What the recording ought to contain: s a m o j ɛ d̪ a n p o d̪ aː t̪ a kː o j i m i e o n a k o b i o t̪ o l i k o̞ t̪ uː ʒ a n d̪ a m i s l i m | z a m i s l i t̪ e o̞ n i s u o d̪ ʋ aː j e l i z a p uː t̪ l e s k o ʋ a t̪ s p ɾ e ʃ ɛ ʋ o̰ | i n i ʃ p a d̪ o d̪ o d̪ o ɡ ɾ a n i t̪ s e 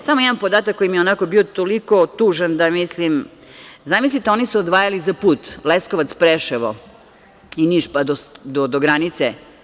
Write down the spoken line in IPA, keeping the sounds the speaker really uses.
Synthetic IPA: s a m o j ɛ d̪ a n p o d̪ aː t̪ a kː o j i m i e o n a k o b i o t̪ o l i k o̞ t̪ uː ʒ a n d̪ a m i s l i m | z a m i s l i t̪ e o̞ n i s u o d̪ ʋ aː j a l i z a p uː t̪ l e s k o ʋ a t̪ s p ɾ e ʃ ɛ ʋ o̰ | i n i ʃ p a d̪ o d̪ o d̪ o ɡ ɾ a n i t̪ s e